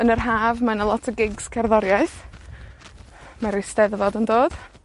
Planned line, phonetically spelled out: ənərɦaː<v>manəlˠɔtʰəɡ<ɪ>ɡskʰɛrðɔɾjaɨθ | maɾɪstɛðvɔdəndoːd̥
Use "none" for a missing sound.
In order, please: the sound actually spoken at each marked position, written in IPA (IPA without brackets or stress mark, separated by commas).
v, ɪ